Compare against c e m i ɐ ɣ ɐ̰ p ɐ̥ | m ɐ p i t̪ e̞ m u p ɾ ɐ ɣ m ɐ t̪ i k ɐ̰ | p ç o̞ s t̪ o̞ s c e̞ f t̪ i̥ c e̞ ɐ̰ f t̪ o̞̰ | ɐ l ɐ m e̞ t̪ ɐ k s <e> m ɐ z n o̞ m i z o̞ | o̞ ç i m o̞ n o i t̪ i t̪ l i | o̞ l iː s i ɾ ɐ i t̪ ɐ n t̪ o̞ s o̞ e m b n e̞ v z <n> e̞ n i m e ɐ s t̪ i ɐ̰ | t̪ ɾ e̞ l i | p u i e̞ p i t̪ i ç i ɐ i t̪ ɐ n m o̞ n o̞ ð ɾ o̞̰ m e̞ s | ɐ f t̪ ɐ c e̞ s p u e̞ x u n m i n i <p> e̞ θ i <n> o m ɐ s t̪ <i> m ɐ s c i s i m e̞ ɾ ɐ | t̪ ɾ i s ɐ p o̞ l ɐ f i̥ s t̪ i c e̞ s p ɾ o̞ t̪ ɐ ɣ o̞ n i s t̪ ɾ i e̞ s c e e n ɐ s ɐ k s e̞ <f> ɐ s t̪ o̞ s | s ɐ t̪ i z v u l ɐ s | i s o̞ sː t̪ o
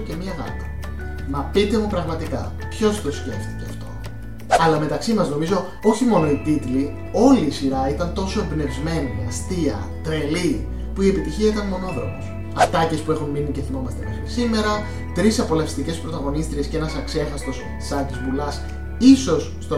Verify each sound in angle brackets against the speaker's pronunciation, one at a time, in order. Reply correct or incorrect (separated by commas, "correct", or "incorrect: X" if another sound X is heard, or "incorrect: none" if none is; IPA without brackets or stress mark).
incorrect: i, incorrect: m, incorrect: c, incorrect: m, incorrect: e, incorrect: x